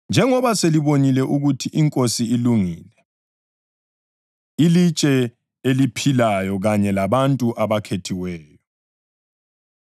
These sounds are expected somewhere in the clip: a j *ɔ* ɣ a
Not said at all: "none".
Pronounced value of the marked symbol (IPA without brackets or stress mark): ɔ